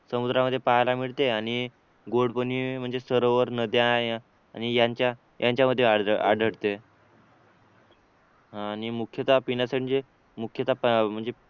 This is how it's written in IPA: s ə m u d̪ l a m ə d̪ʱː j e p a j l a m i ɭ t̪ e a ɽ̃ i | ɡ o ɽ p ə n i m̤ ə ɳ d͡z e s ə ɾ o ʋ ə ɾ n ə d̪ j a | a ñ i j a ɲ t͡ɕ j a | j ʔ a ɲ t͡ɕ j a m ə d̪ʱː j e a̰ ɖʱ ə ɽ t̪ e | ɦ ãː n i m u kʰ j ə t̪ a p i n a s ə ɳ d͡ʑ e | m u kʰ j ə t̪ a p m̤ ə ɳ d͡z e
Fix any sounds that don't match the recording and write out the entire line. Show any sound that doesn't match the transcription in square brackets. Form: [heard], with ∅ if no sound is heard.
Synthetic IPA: s ə m u d̪ [ɾ] a m ə d̪ʱː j e p a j l a m i ɭ t̪ e a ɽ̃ i | ɡ o ɽ p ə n i m̤ ə ɳ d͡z e s ə ɾ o ʋ ə ɾ n ə d̪ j a | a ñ i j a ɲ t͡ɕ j a | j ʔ a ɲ t͡ɕ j a m ə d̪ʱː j e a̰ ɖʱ ə ɽ t̪ e | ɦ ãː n i m u kʰ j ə t̪ a p i n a s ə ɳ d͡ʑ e | m u kʰ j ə t̪ a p m̤ ə ɳ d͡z e